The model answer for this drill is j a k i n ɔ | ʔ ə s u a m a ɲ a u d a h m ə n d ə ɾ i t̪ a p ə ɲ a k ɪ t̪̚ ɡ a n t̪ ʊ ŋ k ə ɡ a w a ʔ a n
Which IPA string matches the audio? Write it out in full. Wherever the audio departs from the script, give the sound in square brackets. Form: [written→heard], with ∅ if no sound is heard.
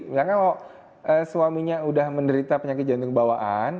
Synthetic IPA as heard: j a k [i→a] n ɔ | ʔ ə s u a m [a→i] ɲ a u d a h m ə n d ə ɾ i t̪ a p ə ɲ a k ɪ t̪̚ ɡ a n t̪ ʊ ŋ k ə [ɡ→b] a w a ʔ a n